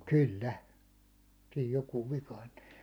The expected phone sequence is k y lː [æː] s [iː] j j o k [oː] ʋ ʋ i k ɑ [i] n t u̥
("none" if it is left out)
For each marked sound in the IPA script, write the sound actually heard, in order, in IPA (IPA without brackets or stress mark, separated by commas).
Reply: æ, iː, uː, i